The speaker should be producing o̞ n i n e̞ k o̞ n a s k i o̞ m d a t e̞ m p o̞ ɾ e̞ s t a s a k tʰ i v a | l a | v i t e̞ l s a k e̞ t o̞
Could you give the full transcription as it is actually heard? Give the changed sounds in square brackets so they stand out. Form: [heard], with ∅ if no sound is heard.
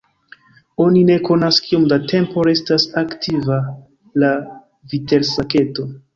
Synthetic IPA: o̞ n i n e̞ k o̞ n a s k i o̞ m d a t e̞ m p o̞ ɾ e̞ s t a s a k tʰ i v a | l a | v i t e̞ l s a k e̞ t o̞